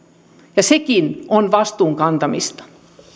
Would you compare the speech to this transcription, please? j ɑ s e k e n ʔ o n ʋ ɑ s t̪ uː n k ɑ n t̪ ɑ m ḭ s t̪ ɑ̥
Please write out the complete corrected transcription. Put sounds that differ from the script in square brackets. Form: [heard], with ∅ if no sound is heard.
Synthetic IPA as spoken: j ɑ s e k [i] n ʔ o n ʋ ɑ s t̪ uː [ŋ] k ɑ n t̪ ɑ m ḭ s t̪ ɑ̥